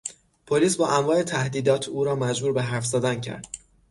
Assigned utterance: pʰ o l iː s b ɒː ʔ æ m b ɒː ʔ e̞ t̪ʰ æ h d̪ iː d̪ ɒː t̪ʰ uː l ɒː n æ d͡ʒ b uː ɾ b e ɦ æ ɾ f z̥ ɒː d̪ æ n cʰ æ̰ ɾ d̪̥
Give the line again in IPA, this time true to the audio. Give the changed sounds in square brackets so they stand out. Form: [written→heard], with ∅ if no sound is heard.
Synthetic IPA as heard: pʰ o l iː s b ɒː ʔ æ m [b→v] ɒː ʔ e̞ t̪ʰ æ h d̪ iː d̪ ɒː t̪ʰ uː [l→ɾ] ɒː [n→m] æ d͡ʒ b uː ɾ b e ɦ æ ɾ f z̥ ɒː d̪ æ n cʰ æ̰ ɾ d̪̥

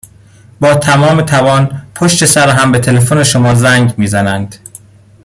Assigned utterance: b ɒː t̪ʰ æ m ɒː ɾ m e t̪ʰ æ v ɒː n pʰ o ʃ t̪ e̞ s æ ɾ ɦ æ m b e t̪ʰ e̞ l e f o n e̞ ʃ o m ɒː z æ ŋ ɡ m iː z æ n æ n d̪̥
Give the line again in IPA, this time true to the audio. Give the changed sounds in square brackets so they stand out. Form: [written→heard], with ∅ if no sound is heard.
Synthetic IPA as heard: b ɒː t̪ʰ æ m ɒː [ɾ→∅] m e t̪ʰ æ v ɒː n pʰ o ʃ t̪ e̞ s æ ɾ ɦ æ m b e t̪ʰ e̞ l e f o n e̞ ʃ o m ɒː z æ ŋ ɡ m iː z æ n æ n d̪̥

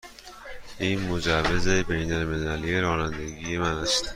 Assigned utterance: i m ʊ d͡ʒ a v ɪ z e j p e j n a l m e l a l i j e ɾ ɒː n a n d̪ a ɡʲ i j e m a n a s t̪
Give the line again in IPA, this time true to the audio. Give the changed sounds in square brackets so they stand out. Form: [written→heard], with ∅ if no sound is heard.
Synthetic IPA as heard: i m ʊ d͡ʒ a v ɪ z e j [p→b] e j n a l m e l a l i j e ɾ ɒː n a n d̪ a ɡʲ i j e m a n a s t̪

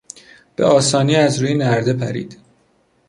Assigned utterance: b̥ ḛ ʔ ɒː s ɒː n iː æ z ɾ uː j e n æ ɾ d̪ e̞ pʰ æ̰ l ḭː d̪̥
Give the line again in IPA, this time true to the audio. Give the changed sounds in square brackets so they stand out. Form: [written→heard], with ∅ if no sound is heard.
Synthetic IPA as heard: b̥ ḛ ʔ ɒː s ɒː n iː æ z ɾ uː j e n æ ɾ d̪ e̞ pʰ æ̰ [l→ɾ] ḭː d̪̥

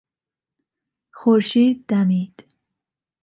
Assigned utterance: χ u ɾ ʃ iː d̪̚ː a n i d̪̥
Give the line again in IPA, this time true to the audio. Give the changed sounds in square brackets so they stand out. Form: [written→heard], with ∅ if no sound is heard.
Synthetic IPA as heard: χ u ɾ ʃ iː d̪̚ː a [n→m] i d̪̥

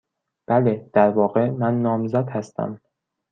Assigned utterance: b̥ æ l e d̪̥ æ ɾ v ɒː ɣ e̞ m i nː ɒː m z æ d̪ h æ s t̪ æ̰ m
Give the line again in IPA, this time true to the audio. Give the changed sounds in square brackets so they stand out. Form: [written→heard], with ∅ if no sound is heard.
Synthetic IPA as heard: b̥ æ l e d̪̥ æ ɾ v ɒː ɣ e̞ m [i→æ] nː ɒː m z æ d̪ h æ s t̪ æ̰ m

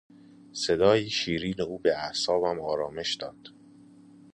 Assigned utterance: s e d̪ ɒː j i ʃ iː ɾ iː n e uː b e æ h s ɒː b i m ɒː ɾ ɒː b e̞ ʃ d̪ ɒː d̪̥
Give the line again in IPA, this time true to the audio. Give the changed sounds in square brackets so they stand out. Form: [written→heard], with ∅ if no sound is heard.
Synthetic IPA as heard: s e d̪ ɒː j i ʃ iː ɾ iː n e uː b e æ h s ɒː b [i→æ] m ɒː ɾ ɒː [b→m] e̞ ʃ d̪ ɒː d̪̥

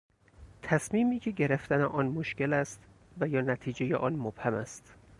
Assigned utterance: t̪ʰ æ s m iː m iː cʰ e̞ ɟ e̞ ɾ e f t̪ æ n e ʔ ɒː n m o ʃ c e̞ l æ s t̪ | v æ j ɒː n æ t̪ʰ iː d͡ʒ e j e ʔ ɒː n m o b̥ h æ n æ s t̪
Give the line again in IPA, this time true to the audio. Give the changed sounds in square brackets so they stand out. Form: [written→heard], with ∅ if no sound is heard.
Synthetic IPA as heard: t̪ʰ æ s m iː m iː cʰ e̞ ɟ e̞ ɾ e f t̪ æ n e ʔ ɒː n m o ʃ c e̞ l æ s t̪ | v æ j ɒː n æ t̪ʰ iː d͡ʒ e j e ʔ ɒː n m o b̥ h æ [n→m] æ s t̪

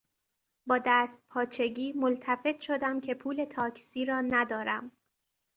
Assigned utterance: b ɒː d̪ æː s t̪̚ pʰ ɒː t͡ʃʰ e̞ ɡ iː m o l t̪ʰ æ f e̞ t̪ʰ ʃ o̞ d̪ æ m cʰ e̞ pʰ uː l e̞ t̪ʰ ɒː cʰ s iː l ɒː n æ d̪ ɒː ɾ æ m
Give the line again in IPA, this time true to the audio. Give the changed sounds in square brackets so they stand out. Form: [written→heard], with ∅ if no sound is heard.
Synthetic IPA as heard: b ɒː d̪ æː s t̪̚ pʰ ɒː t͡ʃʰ e̞ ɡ iː m o l t̪ʰ æ f e̞ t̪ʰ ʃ o̞ d̪ æ m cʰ e̞ pʰ uː l e̞ t̪ʰ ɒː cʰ s iː [l→ɾ] ɒː n æ d̪ ɒː ɾ æ m

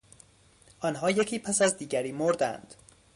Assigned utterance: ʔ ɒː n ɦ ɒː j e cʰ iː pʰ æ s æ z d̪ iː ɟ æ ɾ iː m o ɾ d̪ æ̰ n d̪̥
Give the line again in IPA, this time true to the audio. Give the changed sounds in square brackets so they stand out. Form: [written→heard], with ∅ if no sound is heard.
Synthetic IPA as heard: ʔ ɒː n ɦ ɒː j e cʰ iː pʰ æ s æ z d̪ iː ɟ æ ɾ iː m o ɾ d̪ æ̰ n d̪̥

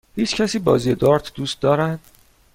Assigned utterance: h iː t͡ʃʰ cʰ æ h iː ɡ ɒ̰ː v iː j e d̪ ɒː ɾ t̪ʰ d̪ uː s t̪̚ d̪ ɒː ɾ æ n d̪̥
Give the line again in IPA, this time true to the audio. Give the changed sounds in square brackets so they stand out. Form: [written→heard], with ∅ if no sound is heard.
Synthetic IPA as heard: h iː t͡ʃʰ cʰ æ [h→s] iː [ɡ→b] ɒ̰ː [v→z] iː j e d̪ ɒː ɾ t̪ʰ d̪ uː s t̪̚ d̪ ɒː ɾ æ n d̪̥

